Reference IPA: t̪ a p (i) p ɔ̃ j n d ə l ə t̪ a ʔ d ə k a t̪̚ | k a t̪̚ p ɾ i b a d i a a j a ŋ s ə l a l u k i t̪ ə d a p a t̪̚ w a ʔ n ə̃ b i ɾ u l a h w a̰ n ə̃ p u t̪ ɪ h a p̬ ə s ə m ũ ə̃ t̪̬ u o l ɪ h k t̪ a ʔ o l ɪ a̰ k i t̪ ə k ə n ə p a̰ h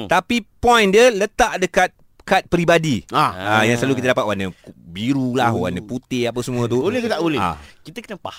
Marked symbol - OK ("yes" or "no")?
yes